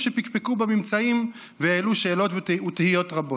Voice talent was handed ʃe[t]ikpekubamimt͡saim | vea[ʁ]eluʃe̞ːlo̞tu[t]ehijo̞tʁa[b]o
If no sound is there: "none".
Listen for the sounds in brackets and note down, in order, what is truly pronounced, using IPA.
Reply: p, none, t, b

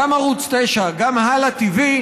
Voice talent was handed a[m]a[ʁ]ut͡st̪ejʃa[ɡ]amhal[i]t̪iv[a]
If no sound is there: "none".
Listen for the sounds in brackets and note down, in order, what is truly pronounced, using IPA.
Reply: m, ʁ, ɡ, a, i

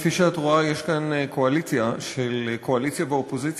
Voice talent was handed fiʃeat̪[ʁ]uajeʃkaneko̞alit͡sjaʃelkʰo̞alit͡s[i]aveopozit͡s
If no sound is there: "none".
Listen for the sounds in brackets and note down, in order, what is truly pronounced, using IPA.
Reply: ʁ, j

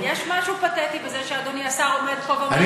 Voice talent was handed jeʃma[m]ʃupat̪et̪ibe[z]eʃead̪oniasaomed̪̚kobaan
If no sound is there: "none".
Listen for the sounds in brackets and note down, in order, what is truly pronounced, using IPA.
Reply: none, z

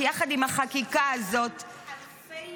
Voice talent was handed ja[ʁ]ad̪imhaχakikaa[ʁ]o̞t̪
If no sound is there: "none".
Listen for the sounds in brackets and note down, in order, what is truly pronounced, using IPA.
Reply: χ, z

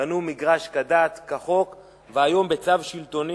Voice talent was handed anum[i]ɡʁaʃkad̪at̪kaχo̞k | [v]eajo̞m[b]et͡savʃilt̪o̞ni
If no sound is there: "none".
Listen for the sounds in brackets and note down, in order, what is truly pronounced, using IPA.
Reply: i, v, b

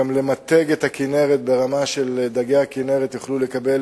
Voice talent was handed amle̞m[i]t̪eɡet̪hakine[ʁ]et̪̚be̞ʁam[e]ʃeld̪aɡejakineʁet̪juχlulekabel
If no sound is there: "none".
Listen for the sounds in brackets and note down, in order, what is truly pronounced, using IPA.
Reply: a, ʁ, a

